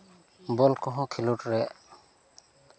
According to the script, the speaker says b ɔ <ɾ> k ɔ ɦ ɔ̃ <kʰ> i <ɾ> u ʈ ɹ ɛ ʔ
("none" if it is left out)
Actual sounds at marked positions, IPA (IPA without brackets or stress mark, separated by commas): l, kʰ, l